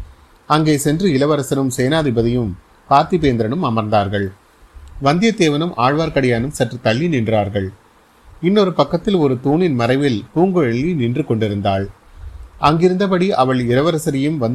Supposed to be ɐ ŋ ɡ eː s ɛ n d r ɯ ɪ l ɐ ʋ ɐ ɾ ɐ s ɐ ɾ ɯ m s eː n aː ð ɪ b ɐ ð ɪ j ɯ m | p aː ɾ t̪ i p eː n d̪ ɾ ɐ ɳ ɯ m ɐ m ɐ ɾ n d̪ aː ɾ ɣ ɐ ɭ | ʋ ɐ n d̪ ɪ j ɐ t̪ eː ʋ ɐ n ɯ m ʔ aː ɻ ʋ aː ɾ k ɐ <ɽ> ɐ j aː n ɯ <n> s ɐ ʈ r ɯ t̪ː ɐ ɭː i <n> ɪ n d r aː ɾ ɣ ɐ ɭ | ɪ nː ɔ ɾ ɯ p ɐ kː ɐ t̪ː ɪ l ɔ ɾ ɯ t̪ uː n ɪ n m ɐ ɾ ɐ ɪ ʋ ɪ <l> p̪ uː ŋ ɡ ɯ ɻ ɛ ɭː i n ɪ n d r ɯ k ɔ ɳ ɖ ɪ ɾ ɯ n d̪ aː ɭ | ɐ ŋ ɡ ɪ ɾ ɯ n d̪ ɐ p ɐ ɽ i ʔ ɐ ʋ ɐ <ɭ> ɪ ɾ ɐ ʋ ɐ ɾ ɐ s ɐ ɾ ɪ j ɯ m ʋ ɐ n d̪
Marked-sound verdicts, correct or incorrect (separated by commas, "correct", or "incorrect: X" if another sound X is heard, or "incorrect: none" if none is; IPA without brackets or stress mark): correct, incorrect: m, correct, correct, correct